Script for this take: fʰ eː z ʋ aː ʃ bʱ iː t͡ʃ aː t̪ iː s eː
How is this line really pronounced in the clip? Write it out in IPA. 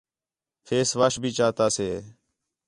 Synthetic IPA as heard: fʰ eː s ʋ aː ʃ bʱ iː t͡ʃ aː t̪ aː s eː